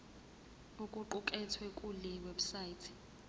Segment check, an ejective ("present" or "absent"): present